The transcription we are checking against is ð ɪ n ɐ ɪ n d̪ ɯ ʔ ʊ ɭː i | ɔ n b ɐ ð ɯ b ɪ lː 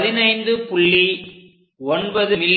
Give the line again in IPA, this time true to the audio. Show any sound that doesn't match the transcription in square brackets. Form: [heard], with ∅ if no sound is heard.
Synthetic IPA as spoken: ð ɪ n ɐ ɪ n d̪ ɯ [p] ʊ ɭː i | ɔ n b ɐ ð ɯ [m] ɪ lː